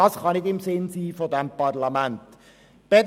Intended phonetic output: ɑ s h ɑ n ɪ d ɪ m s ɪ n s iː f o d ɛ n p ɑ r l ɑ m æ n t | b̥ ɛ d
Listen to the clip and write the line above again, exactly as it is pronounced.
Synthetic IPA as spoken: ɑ s χ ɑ n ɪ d ɪ m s ɪ n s iː f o d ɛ m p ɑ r l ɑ m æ n t | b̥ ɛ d